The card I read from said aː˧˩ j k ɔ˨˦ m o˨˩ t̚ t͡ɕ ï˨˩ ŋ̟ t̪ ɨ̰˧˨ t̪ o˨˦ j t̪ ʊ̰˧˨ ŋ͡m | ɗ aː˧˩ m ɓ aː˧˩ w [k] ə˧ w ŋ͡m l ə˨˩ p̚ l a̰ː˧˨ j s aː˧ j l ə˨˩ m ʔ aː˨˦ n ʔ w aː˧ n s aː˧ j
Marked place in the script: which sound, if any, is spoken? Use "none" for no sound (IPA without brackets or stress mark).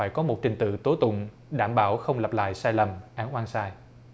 x